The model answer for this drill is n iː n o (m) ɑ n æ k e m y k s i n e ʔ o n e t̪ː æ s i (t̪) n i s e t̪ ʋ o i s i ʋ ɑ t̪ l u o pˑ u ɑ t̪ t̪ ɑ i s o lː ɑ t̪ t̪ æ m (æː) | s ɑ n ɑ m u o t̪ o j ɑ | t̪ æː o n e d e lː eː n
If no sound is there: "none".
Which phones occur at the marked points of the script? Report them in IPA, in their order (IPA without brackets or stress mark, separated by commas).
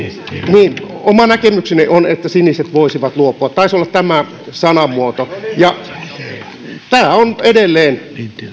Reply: m, none, æ